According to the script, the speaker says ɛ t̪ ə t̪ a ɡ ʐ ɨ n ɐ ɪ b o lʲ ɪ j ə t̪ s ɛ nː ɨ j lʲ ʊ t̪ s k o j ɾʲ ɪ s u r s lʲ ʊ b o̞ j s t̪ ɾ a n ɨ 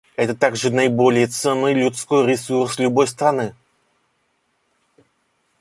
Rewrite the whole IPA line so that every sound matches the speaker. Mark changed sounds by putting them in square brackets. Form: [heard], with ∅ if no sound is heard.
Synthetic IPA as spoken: ɛ t̪ ə t̪ a ɡ ʐ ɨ n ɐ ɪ b o lʲ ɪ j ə t̪ s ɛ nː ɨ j lʲ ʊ t̪ s k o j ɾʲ ɪ s u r s lʲ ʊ b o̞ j s t̪ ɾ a n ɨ